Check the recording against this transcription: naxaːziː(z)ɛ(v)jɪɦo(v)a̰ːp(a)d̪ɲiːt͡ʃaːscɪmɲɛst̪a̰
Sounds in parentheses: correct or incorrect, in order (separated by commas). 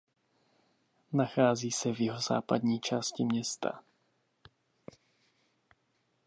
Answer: incorrect, correct, incorrect, correct